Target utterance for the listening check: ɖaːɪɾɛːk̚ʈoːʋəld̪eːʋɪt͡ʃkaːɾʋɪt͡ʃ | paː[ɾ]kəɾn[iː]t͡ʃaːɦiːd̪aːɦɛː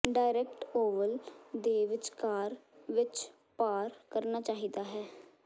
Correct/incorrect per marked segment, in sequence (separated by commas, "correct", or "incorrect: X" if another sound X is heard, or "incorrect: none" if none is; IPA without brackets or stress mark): correct, incorrect: aː